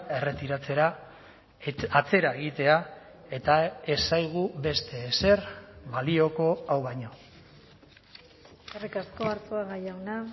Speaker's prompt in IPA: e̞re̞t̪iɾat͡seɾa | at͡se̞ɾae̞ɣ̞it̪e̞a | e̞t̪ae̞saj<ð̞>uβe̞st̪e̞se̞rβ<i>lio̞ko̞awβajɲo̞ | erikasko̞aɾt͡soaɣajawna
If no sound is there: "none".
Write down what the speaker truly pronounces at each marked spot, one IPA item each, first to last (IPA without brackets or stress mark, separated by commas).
ɣ̞, a